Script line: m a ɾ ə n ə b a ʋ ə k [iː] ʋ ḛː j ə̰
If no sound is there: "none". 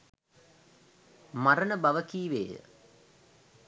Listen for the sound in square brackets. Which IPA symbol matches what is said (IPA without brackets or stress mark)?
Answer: iː